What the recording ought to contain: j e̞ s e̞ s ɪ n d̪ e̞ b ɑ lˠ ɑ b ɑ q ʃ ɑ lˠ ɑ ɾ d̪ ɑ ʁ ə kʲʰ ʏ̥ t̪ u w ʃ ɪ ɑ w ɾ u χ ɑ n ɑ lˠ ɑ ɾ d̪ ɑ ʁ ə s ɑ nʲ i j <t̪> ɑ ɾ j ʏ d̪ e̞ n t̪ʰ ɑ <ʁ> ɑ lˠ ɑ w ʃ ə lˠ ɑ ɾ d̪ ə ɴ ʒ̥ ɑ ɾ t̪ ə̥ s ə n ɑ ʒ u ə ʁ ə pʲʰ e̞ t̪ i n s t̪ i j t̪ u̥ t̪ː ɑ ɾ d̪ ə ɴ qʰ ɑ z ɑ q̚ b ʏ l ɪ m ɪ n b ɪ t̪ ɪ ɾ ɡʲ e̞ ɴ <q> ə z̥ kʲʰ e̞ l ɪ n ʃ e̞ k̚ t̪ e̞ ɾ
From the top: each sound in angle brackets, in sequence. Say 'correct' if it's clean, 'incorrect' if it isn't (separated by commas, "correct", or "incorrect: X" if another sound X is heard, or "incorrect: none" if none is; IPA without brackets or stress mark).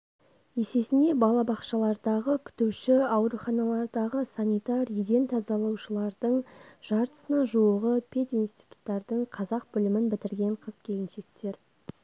correct, incorrect: z, incorrect: qʰ